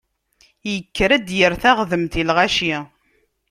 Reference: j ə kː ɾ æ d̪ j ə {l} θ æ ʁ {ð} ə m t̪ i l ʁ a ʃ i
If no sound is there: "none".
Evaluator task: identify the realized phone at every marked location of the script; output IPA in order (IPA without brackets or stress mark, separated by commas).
ɾ, ð